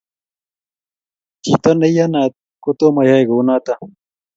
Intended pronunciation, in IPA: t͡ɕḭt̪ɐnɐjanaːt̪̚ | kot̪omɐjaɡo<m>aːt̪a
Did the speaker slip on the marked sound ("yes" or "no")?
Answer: yes